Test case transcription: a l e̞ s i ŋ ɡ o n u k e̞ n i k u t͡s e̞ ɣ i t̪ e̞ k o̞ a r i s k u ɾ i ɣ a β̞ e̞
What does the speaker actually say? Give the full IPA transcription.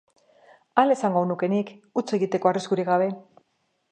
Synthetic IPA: a l e̞ s a ŋ ɡ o n u k e̞ n i k u t͡s e̞ ɣ i t̪ e̞ k o̞ a r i s k u ɾ i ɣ a β̞ e̞

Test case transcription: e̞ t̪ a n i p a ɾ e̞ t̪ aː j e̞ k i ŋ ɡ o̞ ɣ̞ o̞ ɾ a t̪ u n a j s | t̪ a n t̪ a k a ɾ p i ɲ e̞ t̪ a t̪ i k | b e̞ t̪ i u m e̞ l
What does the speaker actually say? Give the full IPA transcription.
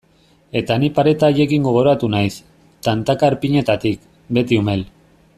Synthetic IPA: e̞ t̪ a n i p a ɾ e̞ t̪ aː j e̞ k i ŋ ɡ o̞ ɣ̞ o̞ ɾ a t̪ u n a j s | t̪ a n t̪ a k a ɾ p i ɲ e̞ t̪ a t̪ i k | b e̞ t̪ i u m e̞ l

